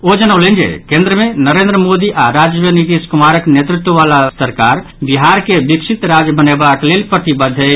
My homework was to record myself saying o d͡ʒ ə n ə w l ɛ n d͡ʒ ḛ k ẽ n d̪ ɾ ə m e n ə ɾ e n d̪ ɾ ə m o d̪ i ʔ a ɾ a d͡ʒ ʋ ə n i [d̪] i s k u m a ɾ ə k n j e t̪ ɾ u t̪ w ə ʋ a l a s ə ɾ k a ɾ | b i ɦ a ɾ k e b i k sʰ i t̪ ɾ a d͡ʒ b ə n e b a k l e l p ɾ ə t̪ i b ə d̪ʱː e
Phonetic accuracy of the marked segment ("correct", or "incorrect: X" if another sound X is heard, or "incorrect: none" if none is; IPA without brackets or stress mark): incorrect: t̪